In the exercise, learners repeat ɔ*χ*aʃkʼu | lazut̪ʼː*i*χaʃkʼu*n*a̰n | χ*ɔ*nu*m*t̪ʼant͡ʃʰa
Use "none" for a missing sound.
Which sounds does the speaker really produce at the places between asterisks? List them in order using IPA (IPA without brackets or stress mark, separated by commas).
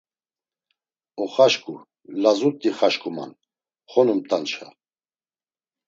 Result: χ, i, m, ɔ, m